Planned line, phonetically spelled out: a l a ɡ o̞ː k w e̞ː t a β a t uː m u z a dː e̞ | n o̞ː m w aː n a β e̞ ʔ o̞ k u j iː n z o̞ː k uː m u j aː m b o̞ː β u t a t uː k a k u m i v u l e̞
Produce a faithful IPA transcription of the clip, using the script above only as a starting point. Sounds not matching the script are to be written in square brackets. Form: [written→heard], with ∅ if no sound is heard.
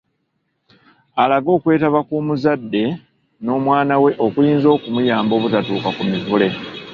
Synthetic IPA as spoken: a l a ɡ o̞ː k w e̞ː t a β a [t→k] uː m u z a dː e̞ | n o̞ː m w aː n a [β→w] e̞ ʔ o̞ k u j iː n z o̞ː k [uː→u] m u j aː m b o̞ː β u t a t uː k a k u m i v u l e̞